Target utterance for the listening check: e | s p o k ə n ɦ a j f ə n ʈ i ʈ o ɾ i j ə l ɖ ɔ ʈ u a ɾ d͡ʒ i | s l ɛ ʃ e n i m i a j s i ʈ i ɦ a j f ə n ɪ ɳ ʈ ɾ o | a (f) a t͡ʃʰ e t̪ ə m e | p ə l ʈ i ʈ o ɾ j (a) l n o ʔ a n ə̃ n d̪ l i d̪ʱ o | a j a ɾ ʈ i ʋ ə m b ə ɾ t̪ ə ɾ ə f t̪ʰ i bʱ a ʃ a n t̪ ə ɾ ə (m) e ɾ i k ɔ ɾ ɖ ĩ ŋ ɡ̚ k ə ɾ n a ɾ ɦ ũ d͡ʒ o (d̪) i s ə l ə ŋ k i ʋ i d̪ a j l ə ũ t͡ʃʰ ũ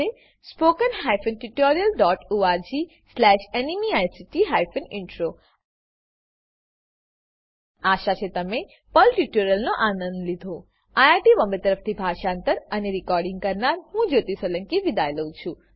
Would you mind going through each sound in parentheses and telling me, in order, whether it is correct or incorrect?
incorrect: ʃ, incorrect: ə, incorrect: n, incorrect: t̪

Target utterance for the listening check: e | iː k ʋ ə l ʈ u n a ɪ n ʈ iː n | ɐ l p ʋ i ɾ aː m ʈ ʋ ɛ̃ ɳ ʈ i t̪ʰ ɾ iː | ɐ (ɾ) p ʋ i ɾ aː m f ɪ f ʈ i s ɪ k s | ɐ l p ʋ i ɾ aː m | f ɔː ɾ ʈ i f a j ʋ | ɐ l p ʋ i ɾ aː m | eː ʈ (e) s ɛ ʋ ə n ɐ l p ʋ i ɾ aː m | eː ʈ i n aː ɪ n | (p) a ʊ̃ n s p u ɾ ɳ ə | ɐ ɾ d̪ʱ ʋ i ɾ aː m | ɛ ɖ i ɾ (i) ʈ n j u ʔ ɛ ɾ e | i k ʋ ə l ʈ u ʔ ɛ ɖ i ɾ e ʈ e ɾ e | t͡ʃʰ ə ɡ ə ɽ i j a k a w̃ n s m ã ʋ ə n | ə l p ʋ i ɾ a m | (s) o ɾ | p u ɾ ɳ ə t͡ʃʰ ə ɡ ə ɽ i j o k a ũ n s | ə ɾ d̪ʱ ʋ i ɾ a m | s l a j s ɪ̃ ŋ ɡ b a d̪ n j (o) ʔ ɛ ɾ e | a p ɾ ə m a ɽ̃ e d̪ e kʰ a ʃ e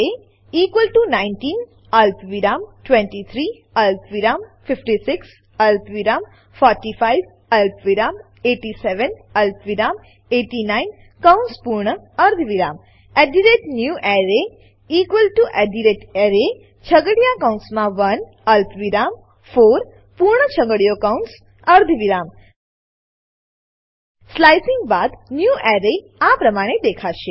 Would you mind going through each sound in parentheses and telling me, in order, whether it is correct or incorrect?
incorrect: l, incorrect: i, incorrect: k, incorrect: e, incorrect: f, incorrect: u

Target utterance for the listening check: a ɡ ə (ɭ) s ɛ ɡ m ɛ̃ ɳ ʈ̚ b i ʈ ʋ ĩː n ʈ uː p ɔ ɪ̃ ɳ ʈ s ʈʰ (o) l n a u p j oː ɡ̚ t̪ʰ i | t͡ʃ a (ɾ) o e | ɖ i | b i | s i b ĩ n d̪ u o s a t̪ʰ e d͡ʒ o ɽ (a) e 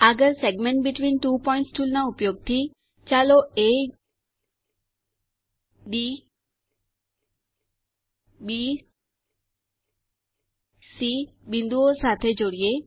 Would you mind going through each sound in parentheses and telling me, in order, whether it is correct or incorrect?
incorrect: ɾ, incorrect: u, incorrect: l, incorrect: i

